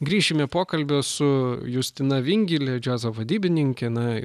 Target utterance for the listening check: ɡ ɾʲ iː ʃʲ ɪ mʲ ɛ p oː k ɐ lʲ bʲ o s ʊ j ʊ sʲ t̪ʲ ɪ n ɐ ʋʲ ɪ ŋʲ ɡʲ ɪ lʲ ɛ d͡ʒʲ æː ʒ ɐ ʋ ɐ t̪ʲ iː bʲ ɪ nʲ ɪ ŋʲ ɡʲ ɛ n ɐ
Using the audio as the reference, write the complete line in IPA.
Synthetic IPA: ɡ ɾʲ iː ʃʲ ɪ mʲ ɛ p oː k ɐ lʲ bʲ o s ʊ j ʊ sʲ t̪ʲ ɪ n ɐ ʋʲ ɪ ŋʲ ɡʲ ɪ lʲ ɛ d͡ʒʲ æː z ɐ ʋ ɐ d̪ʲ iː bʲ ɪ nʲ ɪ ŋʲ kʲ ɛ n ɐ